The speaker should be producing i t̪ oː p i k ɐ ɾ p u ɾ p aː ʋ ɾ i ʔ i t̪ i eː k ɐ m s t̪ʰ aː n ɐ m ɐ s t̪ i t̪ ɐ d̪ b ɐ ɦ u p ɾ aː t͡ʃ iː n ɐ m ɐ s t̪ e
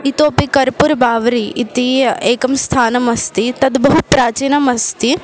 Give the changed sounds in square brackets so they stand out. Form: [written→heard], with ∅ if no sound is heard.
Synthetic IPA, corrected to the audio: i t̪ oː p i k ɐ ɾ p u ɾ [p→b] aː ʋ ɾ i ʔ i t̪ i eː k ɐ m s t̪ʰ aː n ɐ m ɐ s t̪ i t̪ ɐ d̪ b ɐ ɦ u p ɾ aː t͡ʃ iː n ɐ m ɐ s t̪ [e→i]